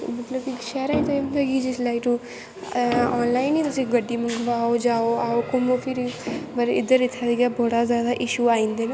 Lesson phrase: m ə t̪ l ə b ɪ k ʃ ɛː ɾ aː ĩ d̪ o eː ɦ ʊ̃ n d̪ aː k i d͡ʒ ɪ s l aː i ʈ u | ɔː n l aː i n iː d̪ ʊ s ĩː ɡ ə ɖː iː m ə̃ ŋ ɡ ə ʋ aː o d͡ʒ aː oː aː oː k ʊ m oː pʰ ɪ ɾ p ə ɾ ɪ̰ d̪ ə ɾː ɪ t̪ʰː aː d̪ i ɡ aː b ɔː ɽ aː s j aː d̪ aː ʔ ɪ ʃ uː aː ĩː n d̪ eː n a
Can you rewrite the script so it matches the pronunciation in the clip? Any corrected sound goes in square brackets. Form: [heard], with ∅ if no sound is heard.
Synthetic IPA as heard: m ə t̪ l ə b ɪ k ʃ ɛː ɾ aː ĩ [t̪] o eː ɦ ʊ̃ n d̪ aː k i d͡ʒ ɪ s l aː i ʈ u | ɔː n l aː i n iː [t̪] ʊ s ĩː ɡ ə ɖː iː m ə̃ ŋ ɡ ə ʋ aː o d͡ʒ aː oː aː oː k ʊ m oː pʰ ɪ ɾ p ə ɾ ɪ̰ d̪ ə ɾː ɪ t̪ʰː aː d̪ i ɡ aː b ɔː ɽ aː [z] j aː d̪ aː ʔ ɪ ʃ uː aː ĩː n d̪ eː n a